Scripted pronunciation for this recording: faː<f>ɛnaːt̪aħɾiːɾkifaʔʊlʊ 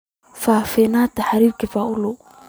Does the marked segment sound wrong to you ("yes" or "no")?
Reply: no